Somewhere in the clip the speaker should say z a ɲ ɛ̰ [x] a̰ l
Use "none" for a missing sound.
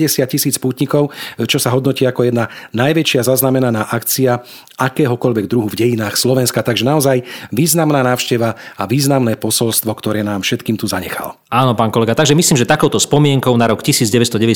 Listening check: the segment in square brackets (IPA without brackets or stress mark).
x